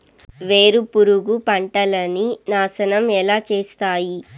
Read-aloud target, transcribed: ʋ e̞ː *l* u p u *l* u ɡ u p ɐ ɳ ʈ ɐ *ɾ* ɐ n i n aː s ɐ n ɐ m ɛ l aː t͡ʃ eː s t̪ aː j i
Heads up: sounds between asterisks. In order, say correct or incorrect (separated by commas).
incorrect, incorrect, incorrect